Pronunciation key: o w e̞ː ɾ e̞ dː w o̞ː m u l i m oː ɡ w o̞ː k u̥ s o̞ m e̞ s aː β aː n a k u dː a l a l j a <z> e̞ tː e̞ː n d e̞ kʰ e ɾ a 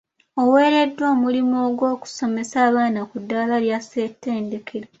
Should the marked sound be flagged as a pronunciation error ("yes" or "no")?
yes